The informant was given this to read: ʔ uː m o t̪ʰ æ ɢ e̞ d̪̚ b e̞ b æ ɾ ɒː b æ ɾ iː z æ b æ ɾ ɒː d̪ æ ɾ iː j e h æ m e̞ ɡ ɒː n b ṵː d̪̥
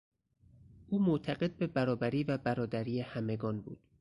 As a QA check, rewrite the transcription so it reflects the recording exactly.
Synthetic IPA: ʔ uː m o t̪ʰ æ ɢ e̞ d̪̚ b e̞ b æ ɾ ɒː b æ ɾ iː v æ b æ ɾ ɒː d̪ æ ɾ iː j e h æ m e̞ ɡ ɒː n b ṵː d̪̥